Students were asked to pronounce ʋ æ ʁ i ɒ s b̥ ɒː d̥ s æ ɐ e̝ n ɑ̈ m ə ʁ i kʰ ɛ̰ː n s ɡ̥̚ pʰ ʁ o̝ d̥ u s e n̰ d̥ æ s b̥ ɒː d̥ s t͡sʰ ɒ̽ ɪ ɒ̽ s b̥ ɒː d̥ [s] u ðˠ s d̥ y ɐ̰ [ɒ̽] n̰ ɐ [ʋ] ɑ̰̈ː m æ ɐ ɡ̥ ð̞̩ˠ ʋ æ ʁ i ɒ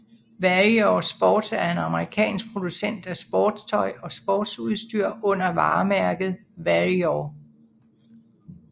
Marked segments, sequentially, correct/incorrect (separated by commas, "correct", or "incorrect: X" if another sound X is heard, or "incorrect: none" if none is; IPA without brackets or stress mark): correct, incorrect: ɔ̽, correct